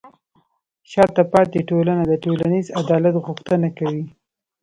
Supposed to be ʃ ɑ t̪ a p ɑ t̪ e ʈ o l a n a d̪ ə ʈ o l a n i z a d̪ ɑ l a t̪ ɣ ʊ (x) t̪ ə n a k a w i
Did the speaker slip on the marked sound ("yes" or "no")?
no